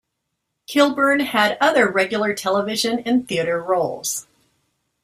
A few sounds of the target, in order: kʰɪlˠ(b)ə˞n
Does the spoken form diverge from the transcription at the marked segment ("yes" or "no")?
no